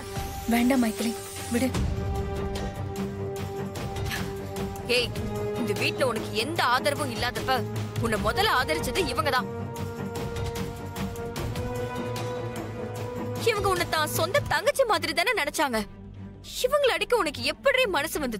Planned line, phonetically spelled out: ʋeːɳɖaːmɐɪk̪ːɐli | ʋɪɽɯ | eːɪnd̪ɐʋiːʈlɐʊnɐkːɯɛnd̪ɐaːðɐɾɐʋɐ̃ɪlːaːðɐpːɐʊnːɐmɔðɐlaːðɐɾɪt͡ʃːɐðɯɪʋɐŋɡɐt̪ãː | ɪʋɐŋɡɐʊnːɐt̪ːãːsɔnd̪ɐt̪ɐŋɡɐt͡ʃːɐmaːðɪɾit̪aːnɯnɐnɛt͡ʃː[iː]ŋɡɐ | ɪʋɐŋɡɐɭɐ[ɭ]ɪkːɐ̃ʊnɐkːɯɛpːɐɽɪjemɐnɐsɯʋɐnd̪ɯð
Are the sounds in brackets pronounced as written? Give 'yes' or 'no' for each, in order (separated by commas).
no, no